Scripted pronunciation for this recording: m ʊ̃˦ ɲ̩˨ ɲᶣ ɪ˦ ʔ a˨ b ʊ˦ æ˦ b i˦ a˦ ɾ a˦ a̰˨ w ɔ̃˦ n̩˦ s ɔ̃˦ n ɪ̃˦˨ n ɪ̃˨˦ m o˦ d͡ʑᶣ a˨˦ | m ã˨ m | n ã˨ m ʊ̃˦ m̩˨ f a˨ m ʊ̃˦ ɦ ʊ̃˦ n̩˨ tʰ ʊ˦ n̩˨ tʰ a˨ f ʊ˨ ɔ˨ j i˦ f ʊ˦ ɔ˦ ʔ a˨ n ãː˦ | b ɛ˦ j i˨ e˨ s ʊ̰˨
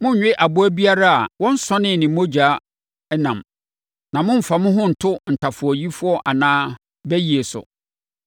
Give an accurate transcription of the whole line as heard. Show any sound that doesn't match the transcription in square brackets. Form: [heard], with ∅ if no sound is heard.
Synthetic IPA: m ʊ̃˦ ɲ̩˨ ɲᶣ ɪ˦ ʔ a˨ b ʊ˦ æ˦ b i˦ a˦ ɾ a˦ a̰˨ w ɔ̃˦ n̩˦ s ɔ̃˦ n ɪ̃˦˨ n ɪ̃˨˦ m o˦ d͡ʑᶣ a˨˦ | [n] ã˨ m | n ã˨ m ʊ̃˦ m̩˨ f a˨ m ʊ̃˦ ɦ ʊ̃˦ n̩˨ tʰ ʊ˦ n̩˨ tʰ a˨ f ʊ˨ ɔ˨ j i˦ f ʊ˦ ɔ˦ ʔ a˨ n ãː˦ | b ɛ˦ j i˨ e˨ s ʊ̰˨